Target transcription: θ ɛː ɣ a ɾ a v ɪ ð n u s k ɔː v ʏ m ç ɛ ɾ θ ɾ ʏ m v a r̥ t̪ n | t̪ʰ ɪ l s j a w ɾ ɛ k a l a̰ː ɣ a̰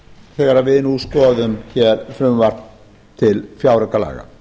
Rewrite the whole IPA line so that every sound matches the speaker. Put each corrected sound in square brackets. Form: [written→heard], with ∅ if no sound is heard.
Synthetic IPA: θ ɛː ɣ a ɾ a v ɪ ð n u s k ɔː [v→ð] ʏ m ç ɛ ɾ [θ→f] ɾ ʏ m v a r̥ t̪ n | t̪ʰ ɪ l [s→f] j a w ɾ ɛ k a l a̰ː ɣ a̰